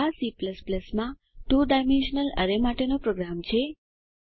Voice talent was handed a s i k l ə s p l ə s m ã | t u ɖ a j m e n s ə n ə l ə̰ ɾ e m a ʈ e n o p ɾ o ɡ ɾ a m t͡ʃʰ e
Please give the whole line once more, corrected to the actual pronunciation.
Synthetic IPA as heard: a s i p l ə s p l ə s m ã | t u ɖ a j m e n ʃ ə n ə l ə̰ ɾ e m a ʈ e n o p ɾ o ɡ ɾ a m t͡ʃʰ e